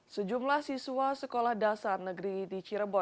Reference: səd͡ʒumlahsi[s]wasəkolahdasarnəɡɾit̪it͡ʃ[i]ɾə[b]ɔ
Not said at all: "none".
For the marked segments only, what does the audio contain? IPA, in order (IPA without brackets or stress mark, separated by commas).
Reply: s, i, b